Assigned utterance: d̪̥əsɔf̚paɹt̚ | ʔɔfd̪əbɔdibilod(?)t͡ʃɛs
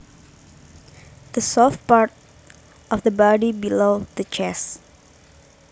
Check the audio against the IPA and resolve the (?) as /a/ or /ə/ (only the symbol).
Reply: ə